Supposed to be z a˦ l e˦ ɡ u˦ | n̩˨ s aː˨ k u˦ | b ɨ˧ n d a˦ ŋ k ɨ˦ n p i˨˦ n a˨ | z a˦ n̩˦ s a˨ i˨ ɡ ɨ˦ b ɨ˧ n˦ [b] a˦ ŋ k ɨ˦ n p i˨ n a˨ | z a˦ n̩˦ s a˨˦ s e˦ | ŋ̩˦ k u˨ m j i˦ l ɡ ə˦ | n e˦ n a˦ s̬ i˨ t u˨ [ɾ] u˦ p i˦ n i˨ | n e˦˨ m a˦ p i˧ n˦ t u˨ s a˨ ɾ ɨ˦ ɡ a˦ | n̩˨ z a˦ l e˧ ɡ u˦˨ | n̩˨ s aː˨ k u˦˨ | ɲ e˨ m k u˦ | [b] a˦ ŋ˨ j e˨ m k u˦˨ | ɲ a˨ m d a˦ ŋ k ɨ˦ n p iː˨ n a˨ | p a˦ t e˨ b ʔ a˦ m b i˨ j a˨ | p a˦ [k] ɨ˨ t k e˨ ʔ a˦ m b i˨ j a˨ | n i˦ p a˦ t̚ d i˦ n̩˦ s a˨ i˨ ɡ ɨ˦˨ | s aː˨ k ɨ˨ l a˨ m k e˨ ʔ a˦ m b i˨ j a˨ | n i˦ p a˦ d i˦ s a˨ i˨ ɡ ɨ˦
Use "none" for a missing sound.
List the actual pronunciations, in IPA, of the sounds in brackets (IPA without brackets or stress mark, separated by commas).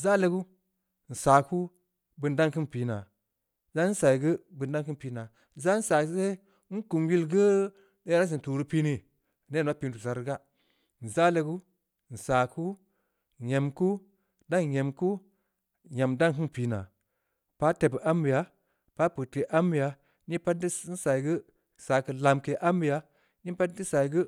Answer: d, ɾ, d, p